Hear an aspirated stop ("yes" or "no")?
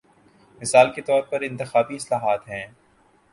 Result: no